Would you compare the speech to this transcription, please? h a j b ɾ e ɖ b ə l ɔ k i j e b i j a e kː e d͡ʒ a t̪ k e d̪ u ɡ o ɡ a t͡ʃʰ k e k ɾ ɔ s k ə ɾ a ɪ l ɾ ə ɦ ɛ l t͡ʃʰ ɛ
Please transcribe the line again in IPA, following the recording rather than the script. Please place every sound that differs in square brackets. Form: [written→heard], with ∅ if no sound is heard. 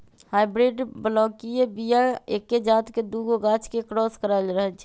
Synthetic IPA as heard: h a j b ɾ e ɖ b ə l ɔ k i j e b i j a e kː e d͡ʒ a t̪ k e d̪ u ɡ o ɡ a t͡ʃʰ k e k ɾ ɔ s k ə ɾ a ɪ l ɾ ə ɦ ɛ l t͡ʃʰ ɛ